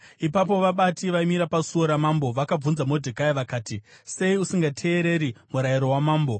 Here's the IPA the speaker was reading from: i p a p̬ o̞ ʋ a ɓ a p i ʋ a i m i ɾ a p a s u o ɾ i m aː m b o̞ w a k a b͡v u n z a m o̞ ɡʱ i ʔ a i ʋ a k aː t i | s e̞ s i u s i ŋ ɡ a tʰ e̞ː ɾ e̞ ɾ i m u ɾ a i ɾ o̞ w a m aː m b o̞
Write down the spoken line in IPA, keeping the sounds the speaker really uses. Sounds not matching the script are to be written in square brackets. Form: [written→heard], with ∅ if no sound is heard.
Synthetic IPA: i p a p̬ o̞ ʋ a ɓ a [p→t] i ʋ a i m i ɾ a p a s u o ɾ [i→a] m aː m b o̞ [w→ʋ] a k a b͡v u n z a m o̞ [ɡʱ→dʱ] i [ʔ→k] a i ʋ a k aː t i | s e̞ [s→∅] i u s i ŋ ɡ a tʰ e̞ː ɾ e̞ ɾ i m u ɾ a i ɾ o̞ w a m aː m b o̞